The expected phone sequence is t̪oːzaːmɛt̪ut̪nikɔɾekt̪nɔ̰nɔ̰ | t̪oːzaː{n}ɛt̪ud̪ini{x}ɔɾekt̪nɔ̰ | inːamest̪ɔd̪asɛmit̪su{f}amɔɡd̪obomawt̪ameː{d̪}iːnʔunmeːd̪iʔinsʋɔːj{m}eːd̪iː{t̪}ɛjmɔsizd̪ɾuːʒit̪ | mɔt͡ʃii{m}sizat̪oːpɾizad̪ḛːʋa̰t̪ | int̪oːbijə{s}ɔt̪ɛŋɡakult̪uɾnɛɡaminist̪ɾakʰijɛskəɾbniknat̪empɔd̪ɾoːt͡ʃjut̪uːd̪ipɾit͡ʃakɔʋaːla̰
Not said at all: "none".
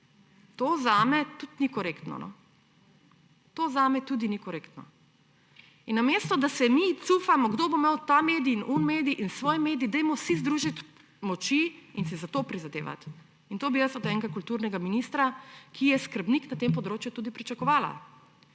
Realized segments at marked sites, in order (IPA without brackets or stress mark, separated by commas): m, k, f, d̪, m, d̪, n, s